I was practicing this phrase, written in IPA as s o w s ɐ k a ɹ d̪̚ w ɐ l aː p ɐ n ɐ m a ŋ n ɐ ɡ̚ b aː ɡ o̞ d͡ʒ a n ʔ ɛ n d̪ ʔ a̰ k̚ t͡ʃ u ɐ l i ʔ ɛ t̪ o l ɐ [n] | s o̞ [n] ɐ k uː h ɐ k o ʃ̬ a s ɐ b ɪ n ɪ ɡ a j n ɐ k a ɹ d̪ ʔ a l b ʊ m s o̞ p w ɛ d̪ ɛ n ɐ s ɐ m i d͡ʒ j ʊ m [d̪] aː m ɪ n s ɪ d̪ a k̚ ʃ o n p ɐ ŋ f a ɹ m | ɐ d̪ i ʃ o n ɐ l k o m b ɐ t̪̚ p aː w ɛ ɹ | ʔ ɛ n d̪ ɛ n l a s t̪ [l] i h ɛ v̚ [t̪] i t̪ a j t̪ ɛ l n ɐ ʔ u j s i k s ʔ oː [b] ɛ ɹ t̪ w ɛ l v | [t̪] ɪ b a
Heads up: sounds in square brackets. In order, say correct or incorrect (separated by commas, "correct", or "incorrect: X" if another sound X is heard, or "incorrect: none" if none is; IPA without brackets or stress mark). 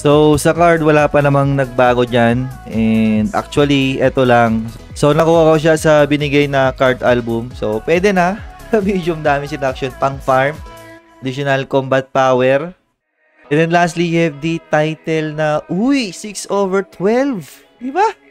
incorrect: ŋ, correct, correct, correct, incorrect: d̪, incorrect: v, incorrect: d̪